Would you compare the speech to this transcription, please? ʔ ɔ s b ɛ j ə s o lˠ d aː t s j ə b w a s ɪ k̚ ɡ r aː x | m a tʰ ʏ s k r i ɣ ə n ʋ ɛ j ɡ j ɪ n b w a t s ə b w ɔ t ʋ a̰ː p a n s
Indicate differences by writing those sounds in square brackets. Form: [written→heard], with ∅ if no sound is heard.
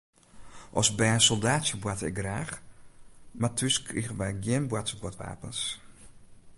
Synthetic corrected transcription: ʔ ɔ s b ɛ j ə s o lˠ d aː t s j ə b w a [s→t] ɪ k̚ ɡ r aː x | m a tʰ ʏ s k r i ɣ ə n ʋ ɛ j ɡ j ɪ n b w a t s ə b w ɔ t ʋ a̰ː p [a→ə] n s